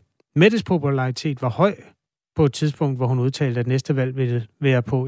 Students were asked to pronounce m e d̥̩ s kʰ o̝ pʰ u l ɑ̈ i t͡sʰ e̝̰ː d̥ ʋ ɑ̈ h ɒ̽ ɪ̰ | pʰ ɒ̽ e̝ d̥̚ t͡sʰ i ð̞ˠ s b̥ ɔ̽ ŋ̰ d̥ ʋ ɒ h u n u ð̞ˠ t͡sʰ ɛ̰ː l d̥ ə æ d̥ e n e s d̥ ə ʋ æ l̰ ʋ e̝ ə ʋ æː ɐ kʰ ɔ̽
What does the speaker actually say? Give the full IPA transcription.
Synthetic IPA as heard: m e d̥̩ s pʰ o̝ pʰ u l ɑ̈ i t͡sʰ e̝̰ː d̥ ʋ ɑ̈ h ɒ̽ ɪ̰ | pʰ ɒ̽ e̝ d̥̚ t͡sʰ i ð̞ˠ s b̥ ɔ̽ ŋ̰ d̥ ʋ ɒ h u n u ð̞ˠ t͡sʰ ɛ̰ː l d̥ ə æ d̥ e n e s d̥ ə ʋ æ l̰ ʋ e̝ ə ʋ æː ɐ pʰ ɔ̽